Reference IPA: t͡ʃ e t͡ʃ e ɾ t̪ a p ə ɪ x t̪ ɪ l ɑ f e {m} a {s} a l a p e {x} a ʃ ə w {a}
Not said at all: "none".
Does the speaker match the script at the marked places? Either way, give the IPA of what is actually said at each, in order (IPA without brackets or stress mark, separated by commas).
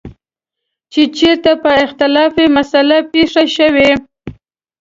m, s, ʂ, e